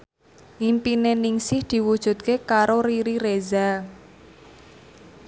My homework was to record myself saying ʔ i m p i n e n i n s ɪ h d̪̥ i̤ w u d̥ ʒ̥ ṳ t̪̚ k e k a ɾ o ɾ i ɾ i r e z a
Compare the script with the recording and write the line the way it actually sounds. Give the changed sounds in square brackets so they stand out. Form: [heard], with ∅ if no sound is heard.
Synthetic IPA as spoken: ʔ i m p i n e n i [ŋ] s ɪ h d̪̥ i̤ w u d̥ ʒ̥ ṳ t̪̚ k e k a ɾ o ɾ i ɾ i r e z a